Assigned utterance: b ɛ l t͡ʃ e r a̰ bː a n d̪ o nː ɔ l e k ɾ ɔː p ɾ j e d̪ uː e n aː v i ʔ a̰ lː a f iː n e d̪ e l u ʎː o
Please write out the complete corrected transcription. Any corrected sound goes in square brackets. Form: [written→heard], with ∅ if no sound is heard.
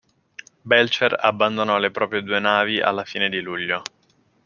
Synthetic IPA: b ɛ l t͡ʃ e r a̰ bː a n d̪ o [nː→n] ɔ l e [k→p] ɾ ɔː p ɾ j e d̪ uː e n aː v i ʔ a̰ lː a f iː n e d̪ [e→i] l u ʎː o